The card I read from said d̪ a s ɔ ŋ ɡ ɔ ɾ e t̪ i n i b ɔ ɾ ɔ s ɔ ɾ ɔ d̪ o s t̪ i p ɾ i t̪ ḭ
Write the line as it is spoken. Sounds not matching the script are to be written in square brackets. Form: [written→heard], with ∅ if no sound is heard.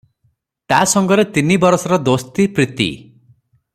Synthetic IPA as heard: [d̪→t̪] a s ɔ ŋ ɡ ɔ ɾ e t̪ i n i b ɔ ɾ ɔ s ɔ ɾ ɔ d̪ o s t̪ i p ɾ i t̪ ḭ